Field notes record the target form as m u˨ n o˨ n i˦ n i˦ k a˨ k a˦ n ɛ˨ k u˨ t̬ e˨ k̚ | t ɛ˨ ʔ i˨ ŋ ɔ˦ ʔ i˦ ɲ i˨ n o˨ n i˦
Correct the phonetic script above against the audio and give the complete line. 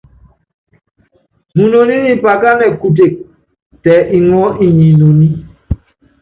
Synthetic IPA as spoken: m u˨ n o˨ n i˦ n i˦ p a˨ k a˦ n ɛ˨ k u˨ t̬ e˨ k̚ | t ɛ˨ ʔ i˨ ŋ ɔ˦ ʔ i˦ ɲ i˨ n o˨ n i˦